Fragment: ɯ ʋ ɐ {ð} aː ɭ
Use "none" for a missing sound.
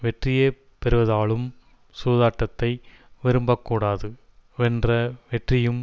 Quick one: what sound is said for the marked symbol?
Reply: ð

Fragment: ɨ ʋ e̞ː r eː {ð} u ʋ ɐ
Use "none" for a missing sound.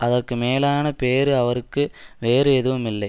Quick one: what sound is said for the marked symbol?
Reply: ð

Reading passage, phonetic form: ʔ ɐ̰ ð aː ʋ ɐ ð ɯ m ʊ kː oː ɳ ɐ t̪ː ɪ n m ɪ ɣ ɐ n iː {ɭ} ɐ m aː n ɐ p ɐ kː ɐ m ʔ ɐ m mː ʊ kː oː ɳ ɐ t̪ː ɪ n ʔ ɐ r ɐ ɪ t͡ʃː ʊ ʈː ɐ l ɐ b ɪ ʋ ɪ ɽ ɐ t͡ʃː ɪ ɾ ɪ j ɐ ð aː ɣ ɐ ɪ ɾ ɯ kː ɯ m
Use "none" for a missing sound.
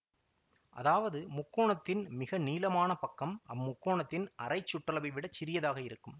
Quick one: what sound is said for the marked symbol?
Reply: l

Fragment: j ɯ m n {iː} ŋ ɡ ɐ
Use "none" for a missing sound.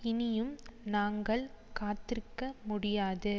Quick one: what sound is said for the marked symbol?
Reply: aː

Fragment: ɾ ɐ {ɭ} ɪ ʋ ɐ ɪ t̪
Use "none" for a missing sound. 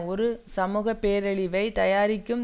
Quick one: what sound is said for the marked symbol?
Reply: ɭ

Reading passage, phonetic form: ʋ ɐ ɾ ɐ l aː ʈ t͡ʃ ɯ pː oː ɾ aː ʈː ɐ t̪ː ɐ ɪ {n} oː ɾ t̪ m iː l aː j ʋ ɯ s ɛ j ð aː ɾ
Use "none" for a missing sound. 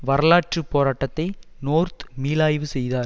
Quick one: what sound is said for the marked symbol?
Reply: n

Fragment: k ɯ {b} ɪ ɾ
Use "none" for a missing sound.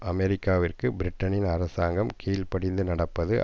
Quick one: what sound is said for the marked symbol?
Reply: b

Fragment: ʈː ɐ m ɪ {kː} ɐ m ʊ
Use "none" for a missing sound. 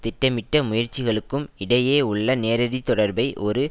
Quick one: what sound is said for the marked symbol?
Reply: ʈː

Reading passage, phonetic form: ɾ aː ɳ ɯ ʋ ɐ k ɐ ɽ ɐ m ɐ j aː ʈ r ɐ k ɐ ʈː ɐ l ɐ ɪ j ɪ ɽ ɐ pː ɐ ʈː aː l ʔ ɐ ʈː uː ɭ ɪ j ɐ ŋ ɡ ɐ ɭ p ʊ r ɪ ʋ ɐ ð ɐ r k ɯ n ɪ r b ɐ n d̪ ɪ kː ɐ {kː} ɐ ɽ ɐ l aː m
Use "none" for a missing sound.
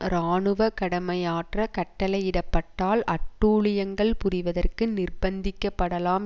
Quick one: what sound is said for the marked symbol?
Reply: pː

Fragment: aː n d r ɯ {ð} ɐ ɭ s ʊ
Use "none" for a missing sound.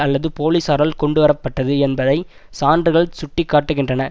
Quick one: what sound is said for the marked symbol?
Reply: ɣ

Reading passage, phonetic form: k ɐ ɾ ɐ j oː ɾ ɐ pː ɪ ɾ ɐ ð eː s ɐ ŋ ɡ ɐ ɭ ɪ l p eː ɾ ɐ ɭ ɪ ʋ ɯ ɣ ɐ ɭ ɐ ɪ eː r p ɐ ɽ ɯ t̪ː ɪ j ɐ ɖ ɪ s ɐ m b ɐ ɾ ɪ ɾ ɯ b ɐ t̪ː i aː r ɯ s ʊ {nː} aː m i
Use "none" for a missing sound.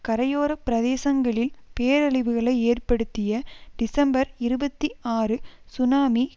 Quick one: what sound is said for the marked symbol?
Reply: n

